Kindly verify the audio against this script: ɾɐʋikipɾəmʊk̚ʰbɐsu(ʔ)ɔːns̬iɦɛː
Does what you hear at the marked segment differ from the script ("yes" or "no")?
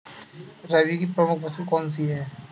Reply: yes